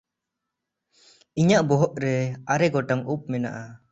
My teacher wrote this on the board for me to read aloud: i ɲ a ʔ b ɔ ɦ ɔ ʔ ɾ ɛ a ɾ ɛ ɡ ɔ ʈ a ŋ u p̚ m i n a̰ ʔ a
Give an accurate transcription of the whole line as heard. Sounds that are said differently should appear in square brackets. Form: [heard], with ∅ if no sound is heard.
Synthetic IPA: i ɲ a ʔ b ɔ ɦ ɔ ʔ ɾ ɛ a ɾ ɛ ɡ ɔ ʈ a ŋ u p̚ m [ɛ] n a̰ ʔ a